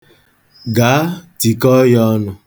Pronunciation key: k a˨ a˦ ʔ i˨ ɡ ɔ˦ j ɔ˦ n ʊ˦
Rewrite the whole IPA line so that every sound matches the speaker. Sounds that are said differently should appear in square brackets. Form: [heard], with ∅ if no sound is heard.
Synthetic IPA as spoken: [ɡ] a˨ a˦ [t] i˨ [k] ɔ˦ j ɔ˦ n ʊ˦